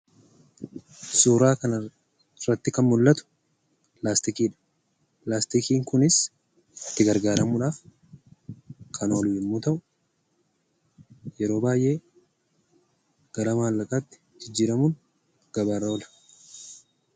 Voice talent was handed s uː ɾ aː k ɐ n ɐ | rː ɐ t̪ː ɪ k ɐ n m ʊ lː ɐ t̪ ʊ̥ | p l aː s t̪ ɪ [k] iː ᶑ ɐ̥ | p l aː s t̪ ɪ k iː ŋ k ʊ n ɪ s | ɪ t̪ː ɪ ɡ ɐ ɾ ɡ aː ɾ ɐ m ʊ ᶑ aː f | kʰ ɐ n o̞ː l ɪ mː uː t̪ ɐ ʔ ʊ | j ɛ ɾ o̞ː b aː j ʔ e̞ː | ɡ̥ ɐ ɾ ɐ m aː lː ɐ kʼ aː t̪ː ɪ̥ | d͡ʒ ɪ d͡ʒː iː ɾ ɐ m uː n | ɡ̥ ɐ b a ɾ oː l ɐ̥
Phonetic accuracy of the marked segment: correct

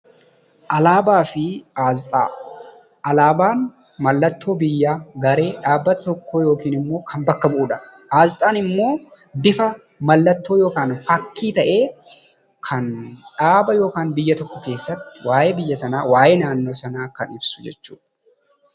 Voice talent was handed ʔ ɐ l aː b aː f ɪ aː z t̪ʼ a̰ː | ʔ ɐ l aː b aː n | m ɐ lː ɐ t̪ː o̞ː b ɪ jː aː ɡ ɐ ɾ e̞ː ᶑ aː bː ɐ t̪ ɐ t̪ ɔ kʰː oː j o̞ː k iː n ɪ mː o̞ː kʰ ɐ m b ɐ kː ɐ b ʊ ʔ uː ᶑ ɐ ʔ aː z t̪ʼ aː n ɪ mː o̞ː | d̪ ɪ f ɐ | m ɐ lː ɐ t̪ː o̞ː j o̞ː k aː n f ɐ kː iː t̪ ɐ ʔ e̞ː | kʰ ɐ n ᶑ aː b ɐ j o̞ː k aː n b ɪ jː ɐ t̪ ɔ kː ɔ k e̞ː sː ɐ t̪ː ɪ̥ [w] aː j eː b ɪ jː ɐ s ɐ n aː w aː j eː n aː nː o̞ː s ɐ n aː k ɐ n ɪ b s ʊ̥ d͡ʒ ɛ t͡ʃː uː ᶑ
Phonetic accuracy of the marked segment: correct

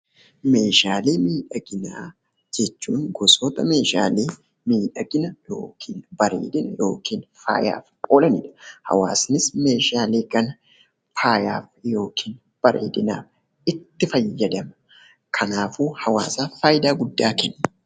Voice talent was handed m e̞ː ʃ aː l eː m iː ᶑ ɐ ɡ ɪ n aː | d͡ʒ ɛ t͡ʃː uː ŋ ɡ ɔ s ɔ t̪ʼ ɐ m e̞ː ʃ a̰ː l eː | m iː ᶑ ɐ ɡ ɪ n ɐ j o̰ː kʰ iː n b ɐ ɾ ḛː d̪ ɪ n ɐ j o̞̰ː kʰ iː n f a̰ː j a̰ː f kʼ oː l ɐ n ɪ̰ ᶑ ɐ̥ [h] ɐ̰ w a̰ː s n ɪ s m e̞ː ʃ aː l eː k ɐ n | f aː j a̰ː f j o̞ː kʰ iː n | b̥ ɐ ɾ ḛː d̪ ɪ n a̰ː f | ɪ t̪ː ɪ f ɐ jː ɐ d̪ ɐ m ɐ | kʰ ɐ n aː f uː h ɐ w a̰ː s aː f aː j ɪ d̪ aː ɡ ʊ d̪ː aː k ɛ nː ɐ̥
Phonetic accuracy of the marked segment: correct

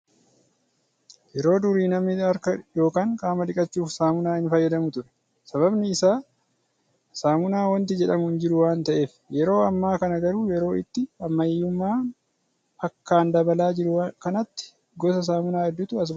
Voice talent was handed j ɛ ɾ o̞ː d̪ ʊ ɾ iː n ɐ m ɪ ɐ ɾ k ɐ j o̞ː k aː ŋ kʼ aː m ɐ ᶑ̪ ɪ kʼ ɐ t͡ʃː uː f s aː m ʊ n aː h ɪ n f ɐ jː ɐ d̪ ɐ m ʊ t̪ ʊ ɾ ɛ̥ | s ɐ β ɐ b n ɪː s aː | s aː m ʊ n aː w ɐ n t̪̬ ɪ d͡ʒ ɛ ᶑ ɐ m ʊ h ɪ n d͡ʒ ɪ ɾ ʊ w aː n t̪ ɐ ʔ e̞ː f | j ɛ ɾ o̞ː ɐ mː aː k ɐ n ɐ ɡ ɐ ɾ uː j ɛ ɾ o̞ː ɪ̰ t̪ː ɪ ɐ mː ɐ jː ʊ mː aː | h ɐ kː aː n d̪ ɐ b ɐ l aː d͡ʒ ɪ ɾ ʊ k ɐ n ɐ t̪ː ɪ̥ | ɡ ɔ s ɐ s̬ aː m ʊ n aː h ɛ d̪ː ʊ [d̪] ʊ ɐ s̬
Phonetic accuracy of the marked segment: incorrect: t̪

